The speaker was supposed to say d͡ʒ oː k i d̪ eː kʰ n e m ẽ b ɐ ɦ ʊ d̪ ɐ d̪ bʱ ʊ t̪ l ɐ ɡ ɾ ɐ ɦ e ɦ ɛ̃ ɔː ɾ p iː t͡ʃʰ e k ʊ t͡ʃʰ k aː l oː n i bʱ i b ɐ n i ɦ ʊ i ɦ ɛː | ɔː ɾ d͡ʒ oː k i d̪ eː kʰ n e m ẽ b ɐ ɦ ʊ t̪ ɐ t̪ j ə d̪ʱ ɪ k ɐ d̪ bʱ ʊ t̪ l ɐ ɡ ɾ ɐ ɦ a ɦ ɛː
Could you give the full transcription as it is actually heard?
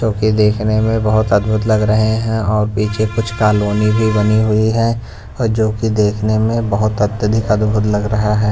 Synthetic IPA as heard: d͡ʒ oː k i d̪ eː kʰ n e m ẽ b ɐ ɦ ʊ t̪ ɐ d̪ bʱ ʊ t̪ l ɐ ɡ ɾ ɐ ɦ e ɦ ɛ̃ ɔː ɾ p iː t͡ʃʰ e k ʊ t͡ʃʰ k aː l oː n i bʱ i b ɐ n i ɦ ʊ i ɦ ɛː | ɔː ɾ d͡ʒ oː k i d̪ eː kʰ n e m ẽ b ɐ ɦ ʊ t̪ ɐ t̪ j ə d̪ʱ ɪ k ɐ d̪ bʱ ʊ t̪ l ɐ ɡ ɾ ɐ ɦ a ɦ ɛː